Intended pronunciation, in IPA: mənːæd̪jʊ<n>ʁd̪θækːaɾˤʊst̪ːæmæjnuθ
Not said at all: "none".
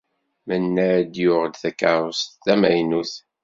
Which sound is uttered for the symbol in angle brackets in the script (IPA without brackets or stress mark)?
none